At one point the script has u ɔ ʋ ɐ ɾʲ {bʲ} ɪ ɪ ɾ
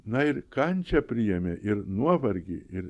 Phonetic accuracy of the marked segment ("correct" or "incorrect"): incorrect